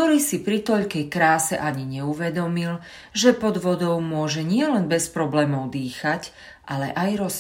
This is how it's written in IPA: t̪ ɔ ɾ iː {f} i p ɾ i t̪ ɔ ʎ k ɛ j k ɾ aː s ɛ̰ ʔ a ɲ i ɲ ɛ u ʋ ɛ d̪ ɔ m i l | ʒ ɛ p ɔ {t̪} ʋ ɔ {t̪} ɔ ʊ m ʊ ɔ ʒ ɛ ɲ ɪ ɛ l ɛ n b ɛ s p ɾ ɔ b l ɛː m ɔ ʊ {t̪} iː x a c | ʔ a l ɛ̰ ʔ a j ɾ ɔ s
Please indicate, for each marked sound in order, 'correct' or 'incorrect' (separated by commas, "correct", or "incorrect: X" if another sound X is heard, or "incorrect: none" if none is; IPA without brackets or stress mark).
incorrect: s, incorrect: d̪, incorrect: d̪, incorrect: d̪